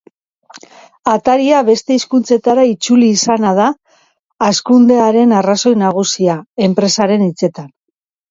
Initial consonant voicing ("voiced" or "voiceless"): voiceless